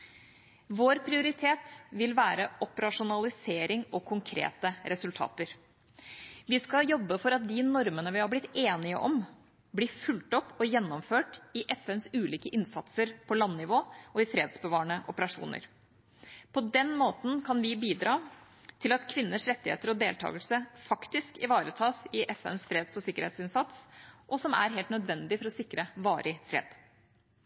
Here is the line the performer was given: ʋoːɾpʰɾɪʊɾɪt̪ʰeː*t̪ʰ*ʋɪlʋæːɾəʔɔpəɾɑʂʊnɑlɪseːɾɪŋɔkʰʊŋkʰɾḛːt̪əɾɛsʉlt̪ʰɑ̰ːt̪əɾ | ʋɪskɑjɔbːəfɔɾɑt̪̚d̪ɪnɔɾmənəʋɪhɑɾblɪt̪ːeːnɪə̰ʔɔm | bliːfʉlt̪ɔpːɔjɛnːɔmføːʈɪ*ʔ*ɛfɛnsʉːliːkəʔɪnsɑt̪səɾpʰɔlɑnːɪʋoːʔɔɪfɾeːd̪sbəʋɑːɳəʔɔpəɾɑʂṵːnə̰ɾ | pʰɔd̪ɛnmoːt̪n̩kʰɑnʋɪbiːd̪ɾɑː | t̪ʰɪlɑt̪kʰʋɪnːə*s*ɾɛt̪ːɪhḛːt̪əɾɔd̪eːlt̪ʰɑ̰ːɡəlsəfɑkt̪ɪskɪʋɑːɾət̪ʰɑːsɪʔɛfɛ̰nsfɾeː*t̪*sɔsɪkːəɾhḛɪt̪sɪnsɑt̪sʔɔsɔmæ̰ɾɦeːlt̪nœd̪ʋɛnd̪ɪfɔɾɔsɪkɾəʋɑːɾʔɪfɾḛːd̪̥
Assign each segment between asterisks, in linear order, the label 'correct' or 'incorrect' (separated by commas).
incorrect, correct, incorrect, incorrect